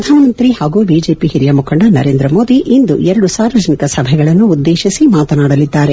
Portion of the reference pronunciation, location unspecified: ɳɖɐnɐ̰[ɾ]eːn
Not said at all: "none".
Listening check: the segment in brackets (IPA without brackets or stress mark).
ɾ